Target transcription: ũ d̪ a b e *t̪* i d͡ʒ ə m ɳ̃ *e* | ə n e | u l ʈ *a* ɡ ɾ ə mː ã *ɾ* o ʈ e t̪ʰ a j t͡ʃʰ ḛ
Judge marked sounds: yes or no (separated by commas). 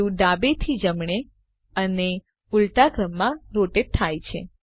no, yes, yes, yes